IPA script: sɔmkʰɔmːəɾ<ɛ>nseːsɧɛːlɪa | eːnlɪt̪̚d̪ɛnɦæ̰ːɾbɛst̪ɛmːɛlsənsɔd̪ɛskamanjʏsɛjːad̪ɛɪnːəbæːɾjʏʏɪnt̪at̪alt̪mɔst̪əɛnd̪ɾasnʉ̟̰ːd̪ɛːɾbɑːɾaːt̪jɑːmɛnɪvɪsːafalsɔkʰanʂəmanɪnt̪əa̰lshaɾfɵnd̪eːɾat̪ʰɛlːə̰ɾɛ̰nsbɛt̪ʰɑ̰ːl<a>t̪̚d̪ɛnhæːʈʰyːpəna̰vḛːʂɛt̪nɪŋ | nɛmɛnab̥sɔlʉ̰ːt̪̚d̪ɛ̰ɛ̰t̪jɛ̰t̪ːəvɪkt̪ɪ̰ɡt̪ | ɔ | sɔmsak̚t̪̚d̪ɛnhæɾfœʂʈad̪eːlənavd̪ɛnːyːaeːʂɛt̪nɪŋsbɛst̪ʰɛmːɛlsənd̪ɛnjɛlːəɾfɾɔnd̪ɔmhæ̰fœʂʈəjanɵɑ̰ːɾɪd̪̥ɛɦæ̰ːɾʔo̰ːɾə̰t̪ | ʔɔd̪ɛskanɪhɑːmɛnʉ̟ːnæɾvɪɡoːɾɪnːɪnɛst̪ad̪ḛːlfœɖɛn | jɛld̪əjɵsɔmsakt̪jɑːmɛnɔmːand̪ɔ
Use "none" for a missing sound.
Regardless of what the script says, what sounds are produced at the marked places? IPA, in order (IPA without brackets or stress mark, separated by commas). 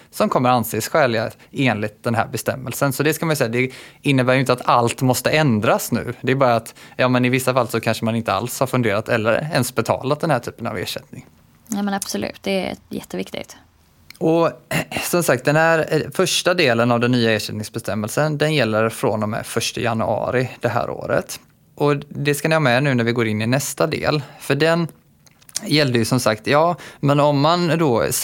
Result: a, a